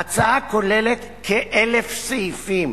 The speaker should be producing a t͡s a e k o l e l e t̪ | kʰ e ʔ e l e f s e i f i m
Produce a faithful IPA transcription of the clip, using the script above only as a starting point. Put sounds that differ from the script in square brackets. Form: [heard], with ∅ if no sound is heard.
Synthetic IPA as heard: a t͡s a [a] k o l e l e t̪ | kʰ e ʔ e l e f s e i f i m